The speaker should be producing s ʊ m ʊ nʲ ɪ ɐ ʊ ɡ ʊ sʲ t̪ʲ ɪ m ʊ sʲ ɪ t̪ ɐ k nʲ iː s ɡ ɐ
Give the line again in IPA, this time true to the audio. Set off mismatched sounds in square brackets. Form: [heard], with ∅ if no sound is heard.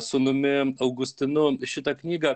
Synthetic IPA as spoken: s ʊ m ʊ [mʲ] ɪ ɐ ʊ ɡ ʊ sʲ t̪ʲ ɪ [n] ʊ [ʃʲ] ɪ t̪ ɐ k nʲ iː [∅] ɡ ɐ